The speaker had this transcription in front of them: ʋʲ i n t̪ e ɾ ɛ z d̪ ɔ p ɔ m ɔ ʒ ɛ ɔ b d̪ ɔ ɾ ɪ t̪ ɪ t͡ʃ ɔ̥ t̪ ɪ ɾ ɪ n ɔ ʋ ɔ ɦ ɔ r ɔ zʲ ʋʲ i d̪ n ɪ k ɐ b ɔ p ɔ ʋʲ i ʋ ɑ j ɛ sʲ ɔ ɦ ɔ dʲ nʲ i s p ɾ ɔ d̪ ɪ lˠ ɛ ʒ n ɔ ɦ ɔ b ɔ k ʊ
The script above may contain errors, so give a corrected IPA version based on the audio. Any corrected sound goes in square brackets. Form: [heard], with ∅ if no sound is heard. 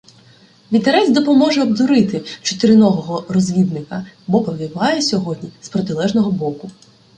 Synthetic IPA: ʋʲ i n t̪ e ɾ ɛ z d̪ ɔ p ɔ m ɔ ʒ ɛ ɔ b d̪ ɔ ɾ ɪ t̪ ɪ t͡ʃ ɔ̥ t̪ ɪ ɾ ɪ n ɔ ʋ ɔ ɦ ɔ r ɔ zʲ ʋʲ i d̪ n ɪ k ɐ b ɔ p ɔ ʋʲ i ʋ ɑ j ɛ sʲ ɔ ɦ ɔ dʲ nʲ i s p ɾ ɔ [t̪] ɪ lˠ ɛ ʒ n ɔ ɦ ɔ b ɔ k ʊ